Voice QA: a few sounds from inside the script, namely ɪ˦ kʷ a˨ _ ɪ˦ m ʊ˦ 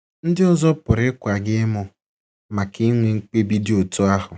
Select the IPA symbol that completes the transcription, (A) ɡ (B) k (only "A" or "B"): A